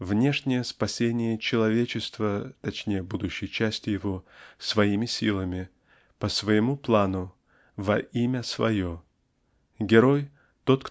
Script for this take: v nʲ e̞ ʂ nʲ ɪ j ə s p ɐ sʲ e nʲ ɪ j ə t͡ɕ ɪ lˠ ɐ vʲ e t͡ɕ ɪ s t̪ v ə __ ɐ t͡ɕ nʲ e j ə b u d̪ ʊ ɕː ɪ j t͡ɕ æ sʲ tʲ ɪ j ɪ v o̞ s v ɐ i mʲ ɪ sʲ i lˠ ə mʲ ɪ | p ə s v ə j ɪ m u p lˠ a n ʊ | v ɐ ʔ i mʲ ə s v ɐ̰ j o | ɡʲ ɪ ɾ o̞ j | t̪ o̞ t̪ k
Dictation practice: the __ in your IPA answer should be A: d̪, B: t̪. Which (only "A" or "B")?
B